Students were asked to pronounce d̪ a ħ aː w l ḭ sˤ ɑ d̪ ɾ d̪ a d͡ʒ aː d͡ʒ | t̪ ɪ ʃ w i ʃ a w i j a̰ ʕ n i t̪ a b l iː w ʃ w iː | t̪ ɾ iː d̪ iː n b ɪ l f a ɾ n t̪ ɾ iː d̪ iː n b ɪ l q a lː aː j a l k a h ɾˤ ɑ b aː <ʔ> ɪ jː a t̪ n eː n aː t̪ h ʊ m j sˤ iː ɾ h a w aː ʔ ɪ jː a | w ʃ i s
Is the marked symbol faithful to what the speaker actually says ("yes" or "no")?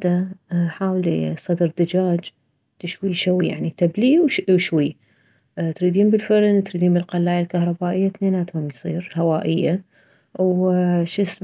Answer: yes